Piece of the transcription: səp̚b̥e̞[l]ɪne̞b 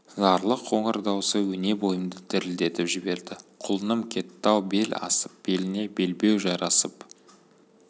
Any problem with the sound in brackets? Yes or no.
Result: no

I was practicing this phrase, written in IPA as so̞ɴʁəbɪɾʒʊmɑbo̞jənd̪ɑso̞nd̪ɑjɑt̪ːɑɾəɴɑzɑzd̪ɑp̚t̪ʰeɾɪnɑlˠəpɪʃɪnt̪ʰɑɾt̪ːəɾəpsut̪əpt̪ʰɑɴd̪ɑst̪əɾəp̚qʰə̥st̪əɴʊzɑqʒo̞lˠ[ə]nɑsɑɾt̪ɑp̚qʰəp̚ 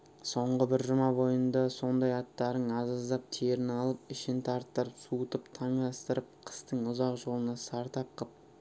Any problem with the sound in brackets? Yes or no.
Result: no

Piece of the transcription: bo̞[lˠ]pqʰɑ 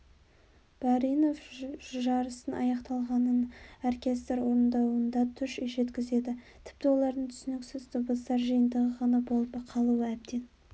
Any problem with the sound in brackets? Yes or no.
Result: no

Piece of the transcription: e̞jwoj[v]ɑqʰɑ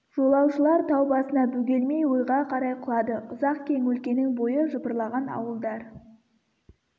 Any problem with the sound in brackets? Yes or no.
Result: yes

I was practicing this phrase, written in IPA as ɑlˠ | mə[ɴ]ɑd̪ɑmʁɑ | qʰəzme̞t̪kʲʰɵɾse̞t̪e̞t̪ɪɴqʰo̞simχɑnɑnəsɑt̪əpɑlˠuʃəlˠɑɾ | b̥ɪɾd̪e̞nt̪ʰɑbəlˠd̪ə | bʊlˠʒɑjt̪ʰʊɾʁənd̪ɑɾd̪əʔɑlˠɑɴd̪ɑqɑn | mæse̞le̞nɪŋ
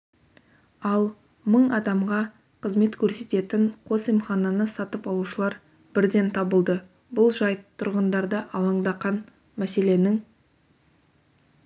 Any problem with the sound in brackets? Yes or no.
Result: no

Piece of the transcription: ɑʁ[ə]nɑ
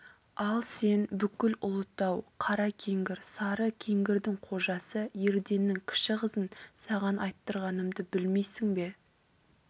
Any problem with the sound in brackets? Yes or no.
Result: yes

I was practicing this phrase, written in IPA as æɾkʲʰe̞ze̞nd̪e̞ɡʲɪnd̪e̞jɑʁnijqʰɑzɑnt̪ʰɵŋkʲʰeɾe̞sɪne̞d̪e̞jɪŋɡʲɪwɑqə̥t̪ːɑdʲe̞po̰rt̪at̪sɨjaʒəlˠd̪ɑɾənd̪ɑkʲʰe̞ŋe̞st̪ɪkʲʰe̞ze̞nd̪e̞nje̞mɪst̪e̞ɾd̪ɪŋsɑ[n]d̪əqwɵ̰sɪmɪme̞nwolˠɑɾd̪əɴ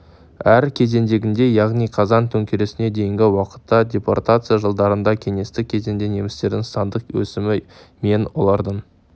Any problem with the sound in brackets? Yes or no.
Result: no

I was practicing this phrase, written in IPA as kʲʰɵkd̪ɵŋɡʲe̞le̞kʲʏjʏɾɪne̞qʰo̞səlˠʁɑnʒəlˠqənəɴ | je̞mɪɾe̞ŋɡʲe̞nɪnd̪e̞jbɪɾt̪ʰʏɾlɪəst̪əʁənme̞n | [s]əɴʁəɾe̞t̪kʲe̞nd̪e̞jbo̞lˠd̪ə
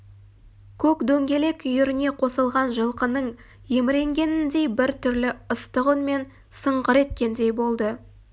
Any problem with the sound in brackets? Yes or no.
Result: no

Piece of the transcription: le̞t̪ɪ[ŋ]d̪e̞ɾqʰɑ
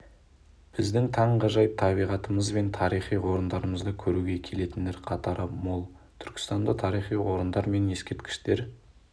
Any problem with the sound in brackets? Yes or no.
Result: yes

